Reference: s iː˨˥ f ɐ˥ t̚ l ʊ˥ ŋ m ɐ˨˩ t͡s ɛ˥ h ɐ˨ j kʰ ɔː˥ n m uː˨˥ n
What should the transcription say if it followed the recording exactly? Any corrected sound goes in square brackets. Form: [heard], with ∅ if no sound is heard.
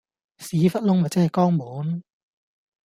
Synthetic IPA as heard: s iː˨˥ f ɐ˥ t̚ l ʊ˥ ŋ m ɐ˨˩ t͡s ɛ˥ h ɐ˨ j [k] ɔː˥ [ŋ] m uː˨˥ n